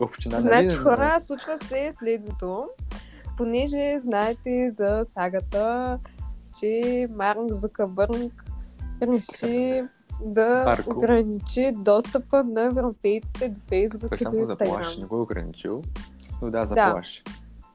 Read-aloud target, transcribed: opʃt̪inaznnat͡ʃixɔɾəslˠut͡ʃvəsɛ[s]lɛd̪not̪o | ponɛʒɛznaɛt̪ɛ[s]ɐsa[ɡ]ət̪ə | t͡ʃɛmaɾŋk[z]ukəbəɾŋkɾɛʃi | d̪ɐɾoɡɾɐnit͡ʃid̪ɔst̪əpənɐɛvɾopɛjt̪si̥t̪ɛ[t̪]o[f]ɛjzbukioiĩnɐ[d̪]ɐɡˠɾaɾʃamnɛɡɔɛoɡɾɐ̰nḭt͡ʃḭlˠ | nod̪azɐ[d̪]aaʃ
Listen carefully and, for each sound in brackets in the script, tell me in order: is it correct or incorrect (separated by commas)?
correct, incorrect, correct, correct, incorrect, correct, incorrect, correct